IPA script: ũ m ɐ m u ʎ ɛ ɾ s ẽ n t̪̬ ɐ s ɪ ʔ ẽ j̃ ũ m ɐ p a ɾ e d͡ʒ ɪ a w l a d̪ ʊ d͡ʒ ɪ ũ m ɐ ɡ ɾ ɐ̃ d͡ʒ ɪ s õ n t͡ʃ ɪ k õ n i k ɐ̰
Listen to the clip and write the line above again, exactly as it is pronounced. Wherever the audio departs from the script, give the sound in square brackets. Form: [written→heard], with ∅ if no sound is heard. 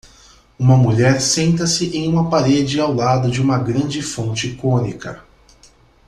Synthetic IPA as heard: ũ m ɐ m u ʎ ɛ ɾ s ẽ n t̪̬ ɐ s ɪ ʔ ẽ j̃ ũ m ɐ p a ɾ e d͡ʒ ɪ a w l a d̪ ʊ d͡ʒ ɪ ũ m ɐ ɡ ɾ ɐ̃ d͡ʒ ɪ [s→f] õ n t͡ʃ ɪ k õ n i k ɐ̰

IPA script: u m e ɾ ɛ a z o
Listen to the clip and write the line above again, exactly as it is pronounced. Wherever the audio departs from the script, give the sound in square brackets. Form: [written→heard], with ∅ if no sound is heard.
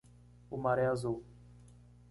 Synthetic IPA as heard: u m [e→a] ɾ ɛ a z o

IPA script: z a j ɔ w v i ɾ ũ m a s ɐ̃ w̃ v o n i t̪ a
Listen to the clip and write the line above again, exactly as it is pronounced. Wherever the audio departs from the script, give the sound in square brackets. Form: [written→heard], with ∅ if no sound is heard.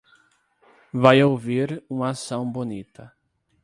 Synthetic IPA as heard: [z→v] a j [ɔ→o] w v i ɾ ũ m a s ɐ̃ w̃ [v→b] o n i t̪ [a→ɐ]

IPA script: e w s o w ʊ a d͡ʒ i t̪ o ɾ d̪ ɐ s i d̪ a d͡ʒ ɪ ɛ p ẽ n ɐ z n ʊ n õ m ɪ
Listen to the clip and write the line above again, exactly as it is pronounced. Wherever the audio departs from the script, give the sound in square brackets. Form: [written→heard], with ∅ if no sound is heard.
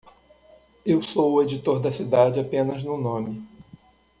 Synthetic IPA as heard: e w s o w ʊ [a→e] d͡ʒ i t̪ o ɾ d̪ ɐ s i d̪ a d͡ʒ ɪ [ɛ→a] p ẽ n ɐ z n ʊ n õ m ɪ

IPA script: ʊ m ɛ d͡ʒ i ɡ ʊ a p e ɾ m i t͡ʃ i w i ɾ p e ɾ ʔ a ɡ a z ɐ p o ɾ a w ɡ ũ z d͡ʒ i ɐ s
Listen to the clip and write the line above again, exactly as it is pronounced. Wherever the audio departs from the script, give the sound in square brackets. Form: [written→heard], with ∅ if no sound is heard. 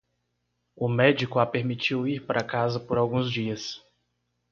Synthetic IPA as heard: ʊ m ɛ d͡ʒ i [ɡ→k] ʊ a p e ɾ m i t͡ʃ i w i ɾ p [e→a] ɾ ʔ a [ɡ→k] a z ɐ p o ɾ a w ɡ ũ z d͡ʒ i ɐ s

